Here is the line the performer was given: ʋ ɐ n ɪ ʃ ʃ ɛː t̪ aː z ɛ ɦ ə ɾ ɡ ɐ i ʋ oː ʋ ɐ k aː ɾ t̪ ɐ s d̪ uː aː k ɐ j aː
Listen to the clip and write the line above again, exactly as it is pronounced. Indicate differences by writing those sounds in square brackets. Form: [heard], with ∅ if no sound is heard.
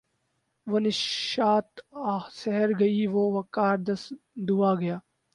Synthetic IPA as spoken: ʋ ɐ n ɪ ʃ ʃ [aː] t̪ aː [s] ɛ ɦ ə ɾ ɡ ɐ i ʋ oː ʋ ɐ k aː ɾ [d̪] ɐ s d̪ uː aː [ɡ] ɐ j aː